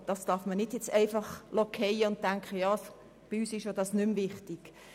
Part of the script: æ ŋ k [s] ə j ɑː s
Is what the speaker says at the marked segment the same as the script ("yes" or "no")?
no